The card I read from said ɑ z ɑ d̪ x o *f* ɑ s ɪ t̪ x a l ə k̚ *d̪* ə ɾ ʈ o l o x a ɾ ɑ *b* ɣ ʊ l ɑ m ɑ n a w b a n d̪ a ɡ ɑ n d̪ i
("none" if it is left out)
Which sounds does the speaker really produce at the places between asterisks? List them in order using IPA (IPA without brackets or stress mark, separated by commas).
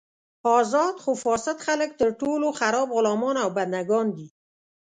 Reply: f, t̪, b